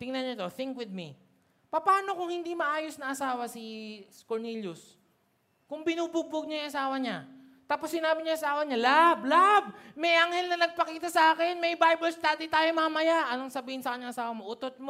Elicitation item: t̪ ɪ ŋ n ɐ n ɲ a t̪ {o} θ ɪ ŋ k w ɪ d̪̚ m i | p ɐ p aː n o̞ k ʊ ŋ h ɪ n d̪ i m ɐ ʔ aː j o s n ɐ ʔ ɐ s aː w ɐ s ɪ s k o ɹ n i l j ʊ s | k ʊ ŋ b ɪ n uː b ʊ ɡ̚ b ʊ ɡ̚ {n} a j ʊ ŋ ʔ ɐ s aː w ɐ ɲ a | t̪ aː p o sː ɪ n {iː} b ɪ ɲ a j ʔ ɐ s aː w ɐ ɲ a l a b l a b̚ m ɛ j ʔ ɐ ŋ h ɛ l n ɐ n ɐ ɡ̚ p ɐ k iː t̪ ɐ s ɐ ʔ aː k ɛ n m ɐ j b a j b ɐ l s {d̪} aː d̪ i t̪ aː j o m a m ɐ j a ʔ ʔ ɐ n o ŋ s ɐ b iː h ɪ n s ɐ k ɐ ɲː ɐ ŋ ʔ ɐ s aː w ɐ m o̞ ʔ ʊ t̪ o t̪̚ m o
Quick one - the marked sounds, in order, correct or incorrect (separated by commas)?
correct, incorrect, incorrect, incorrect